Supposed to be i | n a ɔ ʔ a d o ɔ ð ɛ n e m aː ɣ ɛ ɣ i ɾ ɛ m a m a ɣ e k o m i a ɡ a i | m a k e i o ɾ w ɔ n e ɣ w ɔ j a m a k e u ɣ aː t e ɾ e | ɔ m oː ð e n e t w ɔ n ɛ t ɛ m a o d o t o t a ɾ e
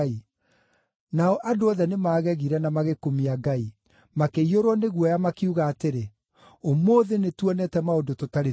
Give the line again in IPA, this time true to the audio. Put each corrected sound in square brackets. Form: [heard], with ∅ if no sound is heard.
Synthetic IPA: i | n a ɔ ʔ a d o ɔ ð ɛ n e m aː ɣ ɛ ɣ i ɾ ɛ [n] a m a ɣ e k o m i a ɡ a i | m a k e i o ɾ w ɔ n e ɣ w ɔ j a m a k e u ɣ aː t e ɾ e | [o] m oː ð e n e t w ɔ n ɛ t ɛ m a o d o t o t a ɾ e